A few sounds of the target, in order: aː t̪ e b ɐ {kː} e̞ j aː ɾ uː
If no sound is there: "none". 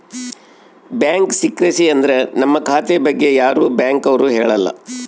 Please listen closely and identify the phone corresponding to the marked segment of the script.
ɡː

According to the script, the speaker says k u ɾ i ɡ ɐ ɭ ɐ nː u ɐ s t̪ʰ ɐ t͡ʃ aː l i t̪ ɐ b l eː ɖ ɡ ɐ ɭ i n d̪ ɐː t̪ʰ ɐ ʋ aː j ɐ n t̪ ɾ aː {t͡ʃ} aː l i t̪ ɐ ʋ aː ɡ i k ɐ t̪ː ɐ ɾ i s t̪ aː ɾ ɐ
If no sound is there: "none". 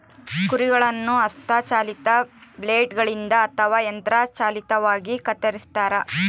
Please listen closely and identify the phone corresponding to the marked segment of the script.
t͡ʃ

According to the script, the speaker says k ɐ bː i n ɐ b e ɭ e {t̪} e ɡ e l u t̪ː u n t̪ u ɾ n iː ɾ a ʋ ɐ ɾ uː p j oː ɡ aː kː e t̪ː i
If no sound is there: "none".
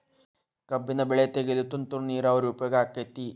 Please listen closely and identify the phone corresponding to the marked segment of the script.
t̪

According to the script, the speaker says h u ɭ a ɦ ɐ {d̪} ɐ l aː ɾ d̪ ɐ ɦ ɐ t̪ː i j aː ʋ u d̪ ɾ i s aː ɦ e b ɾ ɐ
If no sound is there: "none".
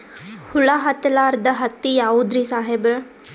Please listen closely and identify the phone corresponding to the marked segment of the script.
t̪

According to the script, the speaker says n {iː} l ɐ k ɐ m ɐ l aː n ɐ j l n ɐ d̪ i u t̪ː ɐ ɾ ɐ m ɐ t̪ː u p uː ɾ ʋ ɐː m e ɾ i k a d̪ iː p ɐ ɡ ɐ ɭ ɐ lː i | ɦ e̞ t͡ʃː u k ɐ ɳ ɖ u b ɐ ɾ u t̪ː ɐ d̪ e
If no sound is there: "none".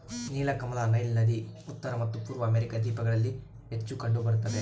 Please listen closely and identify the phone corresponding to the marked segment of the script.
iː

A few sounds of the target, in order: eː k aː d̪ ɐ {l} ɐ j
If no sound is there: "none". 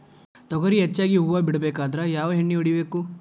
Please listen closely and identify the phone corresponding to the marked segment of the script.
ɾ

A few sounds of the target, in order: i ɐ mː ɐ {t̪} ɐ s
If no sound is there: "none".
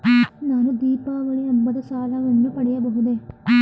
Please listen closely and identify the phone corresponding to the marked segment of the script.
d̪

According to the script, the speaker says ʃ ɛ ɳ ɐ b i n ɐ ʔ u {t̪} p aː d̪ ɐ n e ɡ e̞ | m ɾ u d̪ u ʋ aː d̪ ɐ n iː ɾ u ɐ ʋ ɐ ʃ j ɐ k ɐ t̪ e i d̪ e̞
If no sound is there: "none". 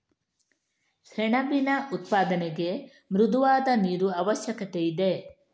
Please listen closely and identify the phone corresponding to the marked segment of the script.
t̪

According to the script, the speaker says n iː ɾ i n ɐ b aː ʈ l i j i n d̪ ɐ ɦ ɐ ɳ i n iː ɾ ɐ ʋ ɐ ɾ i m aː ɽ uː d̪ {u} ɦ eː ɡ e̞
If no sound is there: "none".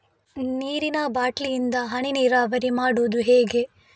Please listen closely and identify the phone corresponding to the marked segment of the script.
u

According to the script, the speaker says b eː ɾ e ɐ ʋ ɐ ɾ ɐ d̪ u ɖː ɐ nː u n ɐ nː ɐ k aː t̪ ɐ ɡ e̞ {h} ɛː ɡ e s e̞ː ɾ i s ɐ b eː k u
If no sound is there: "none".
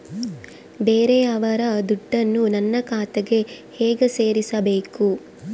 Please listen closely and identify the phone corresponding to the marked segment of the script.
h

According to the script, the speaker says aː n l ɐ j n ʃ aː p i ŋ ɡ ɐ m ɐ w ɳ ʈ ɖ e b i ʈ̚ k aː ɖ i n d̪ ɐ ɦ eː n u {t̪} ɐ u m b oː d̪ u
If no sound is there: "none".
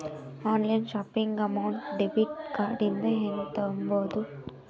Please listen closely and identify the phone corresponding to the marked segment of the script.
t̪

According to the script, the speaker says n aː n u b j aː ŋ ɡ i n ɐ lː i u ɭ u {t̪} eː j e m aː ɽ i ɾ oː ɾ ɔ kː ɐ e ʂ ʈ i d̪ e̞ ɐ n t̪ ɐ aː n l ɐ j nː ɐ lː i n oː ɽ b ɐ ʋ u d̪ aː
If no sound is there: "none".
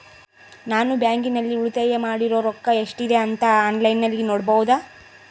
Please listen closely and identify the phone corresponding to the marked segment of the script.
t̪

